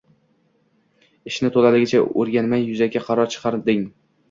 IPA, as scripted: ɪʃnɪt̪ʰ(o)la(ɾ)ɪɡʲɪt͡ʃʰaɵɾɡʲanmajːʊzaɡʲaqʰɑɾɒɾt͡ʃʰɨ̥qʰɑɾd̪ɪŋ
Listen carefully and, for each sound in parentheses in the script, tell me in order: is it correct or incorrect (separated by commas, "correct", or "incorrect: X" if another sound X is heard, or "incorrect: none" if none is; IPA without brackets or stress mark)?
correct, incorrect: l